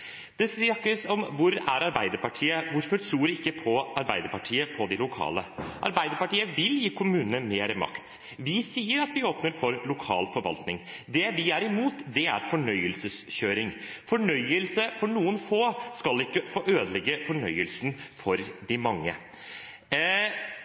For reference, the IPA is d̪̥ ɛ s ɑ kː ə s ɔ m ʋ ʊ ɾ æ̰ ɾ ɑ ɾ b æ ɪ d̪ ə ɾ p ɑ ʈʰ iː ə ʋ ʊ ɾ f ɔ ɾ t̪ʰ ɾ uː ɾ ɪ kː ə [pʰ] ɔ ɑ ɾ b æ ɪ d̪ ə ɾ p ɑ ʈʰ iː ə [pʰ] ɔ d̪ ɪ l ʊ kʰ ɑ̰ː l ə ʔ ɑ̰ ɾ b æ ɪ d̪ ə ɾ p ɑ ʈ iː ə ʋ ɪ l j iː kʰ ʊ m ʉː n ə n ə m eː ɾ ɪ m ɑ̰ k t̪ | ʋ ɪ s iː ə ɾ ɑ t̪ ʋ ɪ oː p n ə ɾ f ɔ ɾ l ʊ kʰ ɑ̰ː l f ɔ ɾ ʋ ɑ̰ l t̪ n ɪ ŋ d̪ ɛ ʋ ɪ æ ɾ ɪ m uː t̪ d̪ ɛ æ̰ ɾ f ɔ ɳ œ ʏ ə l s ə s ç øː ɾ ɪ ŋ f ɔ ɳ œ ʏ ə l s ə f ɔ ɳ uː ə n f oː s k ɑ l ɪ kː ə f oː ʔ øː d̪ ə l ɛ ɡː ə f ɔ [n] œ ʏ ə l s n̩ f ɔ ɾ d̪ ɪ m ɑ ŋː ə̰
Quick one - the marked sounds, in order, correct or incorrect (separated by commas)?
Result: correct, correct, incorrect